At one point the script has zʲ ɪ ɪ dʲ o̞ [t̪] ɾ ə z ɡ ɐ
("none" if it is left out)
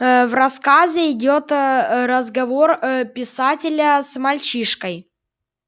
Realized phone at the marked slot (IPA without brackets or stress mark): t̪